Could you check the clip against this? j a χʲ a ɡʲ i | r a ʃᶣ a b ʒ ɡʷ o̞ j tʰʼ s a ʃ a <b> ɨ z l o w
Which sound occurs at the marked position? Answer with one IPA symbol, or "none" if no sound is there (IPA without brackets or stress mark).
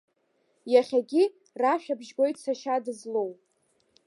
d